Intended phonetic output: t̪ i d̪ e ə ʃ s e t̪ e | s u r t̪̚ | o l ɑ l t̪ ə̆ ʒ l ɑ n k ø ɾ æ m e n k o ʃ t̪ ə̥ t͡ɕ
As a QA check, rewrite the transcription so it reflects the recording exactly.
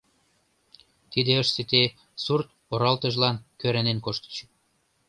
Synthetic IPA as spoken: t̪ i d̪ e ə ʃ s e t̪ e | s u r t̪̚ | o ɾ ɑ l t̪ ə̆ ʒ l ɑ n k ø ɾ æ n e n k o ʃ t̪ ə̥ t͡ɕ